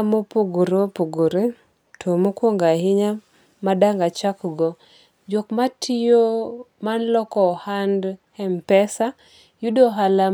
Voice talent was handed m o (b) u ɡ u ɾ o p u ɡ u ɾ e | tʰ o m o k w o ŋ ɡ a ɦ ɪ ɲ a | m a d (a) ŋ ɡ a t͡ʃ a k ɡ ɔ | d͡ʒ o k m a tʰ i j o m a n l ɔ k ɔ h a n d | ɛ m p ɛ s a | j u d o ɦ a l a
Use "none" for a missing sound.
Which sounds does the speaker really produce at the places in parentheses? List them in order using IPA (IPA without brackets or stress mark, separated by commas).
p, a